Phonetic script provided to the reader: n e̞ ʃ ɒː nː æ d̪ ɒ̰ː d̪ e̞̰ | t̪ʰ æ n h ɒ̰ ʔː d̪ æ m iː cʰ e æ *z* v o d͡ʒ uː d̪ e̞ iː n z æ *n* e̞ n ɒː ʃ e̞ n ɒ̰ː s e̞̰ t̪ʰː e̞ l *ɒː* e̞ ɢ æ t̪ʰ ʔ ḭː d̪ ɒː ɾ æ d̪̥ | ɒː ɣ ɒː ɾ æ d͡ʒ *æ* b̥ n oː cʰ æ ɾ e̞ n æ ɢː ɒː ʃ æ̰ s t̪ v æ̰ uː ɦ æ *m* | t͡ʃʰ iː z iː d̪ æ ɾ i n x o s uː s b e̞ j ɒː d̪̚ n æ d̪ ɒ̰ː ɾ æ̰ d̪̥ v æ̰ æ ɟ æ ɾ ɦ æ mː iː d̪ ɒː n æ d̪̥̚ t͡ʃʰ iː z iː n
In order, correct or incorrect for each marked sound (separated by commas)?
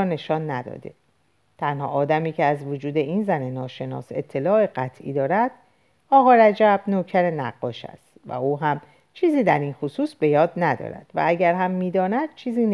correct, correct, correct, correct, correct